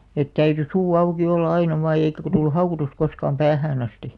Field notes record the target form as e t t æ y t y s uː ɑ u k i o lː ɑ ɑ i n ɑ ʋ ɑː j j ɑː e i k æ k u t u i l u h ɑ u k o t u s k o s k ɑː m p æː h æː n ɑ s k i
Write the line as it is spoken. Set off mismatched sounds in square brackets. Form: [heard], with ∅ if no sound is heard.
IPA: e t t æ y t y s uː ɑ u k i o lː ɑ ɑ i n ɑ ʋ ɑː j j [ɑ] e i k æ k [o] t u i l u h ɑ u k o t u s k o s k ɑː m p æː h æː n ɑ s [t] i